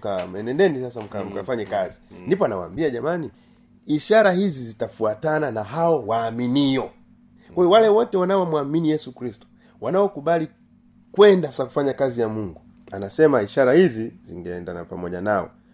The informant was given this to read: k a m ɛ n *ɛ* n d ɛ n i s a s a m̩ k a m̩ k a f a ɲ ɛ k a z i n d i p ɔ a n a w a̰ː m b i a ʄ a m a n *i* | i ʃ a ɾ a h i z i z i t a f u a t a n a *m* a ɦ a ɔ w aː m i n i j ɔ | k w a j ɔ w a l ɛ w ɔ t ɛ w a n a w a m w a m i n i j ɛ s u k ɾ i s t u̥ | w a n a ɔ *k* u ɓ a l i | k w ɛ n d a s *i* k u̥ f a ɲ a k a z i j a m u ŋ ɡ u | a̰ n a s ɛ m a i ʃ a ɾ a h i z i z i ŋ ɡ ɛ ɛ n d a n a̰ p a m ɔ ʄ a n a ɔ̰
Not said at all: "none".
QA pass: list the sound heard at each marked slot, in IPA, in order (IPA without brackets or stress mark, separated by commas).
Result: ɛ, i, n, k, a